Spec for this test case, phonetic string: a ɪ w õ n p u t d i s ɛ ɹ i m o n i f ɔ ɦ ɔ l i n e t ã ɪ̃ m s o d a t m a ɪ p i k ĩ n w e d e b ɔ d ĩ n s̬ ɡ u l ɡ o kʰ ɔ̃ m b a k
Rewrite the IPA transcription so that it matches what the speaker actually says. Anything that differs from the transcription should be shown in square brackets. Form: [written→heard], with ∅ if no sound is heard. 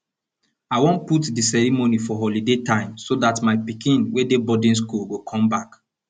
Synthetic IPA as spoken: a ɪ w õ n p u t d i s ɛ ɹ i m o n i f ɔ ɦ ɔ l i [n→d] e t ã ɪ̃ m s o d a t m a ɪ p i k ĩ n w e d e b ɔ d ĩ n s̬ [ɡ→k] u l ɡ o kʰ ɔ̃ m b a k